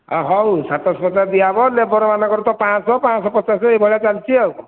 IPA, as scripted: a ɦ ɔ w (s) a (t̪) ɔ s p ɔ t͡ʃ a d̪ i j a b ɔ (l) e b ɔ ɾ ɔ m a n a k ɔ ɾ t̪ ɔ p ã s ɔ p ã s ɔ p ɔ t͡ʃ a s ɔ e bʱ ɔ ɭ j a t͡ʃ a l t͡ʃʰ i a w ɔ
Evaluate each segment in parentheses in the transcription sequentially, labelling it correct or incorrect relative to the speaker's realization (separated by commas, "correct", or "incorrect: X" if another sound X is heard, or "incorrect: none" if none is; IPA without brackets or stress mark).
correct, correct, correct